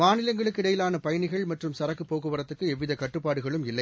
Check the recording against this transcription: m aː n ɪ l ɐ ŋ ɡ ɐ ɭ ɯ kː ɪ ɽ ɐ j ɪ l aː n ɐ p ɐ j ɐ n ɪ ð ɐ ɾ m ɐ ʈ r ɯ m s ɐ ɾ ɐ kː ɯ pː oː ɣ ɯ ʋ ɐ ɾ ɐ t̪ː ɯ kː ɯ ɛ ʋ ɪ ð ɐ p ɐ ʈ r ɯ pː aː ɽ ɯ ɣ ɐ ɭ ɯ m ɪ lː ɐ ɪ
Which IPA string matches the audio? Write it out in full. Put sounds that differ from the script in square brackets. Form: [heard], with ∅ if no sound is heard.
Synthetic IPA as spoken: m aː n ɪ l ɐ ŋ ɡ ɐ ɭ ɯ kː ɪ ɽ ɐ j ɪ l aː n ɐ p ɐ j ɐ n ɪ [ɣ] ɐ [ɭ] m ɐ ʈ r ɯ m s ɐ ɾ ɐ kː ɯ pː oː ɣ ɯ ʋ ɐ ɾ ɐ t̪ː ɯ kː ɯ ɛ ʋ ɪ ð ɐ [k] ɐ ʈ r ɯ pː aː ɽ ɯ ɣ ɐ ɭ ɯ m ɪ lː ɐ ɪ